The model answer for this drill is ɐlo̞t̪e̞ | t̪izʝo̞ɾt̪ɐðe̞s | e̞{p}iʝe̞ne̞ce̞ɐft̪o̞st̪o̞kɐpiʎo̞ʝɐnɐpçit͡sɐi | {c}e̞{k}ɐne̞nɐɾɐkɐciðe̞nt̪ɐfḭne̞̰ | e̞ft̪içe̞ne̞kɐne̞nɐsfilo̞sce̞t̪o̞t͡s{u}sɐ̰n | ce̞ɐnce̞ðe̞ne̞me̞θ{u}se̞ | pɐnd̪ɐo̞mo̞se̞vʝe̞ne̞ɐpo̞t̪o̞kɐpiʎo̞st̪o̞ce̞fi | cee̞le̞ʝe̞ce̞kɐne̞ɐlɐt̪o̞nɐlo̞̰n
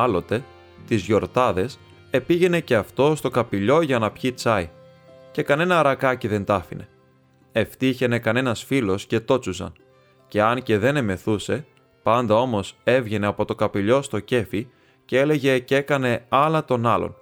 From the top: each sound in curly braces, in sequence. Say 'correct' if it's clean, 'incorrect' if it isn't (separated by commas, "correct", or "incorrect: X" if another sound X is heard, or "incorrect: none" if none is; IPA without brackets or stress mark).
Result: correct, correct, correct, correct, correct